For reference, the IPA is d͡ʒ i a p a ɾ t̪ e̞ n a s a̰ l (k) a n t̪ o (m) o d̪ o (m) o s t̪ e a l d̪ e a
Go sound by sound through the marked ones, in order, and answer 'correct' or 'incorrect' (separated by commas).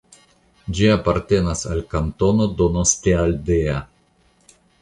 correct, incorrect, incorrect